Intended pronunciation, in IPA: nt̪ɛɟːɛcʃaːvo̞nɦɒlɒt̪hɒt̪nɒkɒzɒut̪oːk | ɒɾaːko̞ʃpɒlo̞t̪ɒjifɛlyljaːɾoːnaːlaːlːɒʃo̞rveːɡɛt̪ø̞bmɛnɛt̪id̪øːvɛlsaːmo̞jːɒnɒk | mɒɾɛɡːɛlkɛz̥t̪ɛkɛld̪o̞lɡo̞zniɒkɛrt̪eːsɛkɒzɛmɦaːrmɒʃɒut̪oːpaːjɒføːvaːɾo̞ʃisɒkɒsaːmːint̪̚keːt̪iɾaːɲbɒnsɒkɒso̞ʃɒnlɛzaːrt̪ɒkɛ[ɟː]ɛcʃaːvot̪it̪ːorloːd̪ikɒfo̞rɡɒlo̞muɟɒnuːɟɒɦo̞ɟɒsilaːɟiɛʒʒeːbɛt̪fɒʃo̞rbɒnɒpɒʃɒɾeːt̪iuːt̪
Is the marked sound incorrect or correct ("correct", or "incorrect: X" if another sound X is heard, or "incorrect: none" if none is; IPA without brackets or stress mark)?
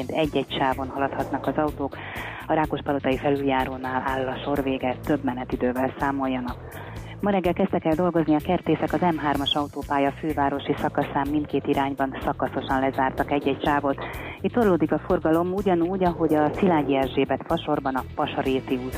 correct